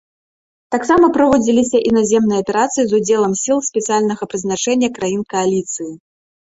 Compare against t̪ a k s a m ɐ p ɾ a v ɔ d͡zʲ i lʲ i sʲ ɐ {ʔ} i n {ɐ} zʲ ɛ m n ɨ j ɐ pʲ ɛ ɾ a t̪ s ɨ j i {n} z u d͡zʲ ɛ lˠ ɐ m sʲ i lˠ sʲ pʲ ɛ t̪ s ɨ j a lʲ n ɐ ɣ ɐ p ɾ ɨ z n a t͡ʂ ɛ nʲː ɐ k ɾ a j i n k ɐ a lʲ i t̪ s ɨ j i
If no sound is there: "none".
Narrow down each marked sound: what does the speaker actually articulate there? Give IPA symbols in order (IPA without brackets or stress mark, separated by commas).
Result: ʔ, a, none